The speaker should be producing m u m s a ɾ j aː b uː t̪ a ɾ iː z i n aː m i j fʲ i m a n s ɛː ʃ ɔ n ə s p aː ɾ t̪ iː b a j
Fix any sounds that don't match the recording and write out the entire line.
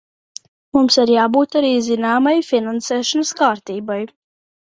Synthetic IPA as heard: m u m s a ɾ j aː b uː t̪ a ɾ iː z i n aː m a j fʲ i n a n s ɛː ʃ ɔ n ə s k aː ɾ t̪ iː b a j